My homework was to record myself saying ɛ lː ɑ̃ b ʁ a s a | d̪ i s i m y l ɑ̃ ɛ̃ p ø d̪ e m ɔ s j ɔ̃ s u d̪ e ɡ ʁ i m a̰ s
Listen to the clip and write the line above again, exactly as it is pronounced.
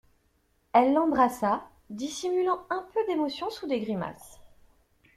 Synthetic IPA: ɛ lː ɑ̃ b ʁ a s a | d̪ i s i m y l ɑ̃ ɛ̃ p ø d̪ e m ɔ s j ɔ̃ s u d̪ e ɡ ʁ i m a̰ s